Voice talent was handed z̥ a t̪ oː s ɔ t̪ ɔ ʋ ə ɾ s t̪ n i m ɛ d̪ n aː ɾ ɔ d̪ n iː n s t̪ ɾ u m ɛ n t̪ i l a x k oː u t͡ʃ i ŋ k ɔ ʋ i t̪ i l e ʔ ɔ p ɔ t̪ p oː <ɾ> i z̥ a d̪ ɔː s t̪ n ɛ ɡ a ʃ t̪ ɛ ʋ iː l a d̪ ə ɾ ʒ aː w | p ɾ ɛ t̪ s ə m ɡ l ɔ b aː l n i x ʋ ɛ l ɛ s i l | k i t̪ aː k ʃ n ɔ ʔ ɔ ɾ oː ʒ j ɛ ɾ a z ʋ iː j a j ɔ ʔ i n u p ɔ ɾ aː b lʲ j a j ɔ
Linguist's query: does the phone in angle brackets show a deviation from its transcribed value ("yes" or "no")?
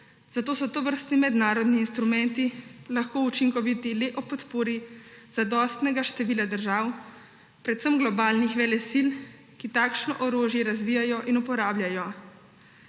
no